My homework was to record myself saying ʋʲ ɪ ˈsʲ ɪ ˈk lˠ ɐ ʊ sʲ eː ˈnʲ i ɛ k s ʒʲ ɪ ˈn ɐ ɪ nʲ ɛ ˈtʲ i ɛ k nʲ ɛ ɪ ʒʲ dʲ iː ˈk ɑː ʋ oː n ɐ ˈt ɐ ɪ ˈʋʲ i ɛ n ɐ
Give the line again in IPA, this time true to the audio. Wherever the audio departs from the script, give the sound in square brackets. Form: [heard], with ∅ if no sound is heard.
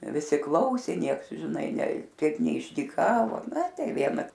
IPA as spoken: ʋʲ ɪ ˈsʲ ɪ ˈk lˠ ɐ ʊ sʲ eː ˈnʲ i ɛ k s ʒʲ ɪ ˈn ɐ ɪ nʲ ɛ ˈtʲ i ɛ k nʲ ɛ ɪ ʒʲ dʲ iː ˈk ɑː ʋ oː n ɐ ˈt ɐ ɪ ˈʋʲ i ɛ n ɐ